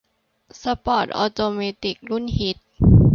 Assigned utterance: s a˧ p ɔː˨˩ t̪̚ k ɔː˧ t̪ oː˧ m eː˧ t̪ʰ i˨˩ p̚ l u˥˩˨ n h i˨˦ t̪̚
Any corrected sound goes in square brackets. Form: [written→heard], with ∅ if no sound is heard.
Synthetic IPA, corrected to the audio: s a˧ p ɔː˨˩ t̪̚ [k→ʔ] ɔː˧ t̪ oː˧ m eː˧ [t̪ʰ→t̪] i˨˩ [p̚→k̚] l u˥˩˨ n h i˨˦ t̪̚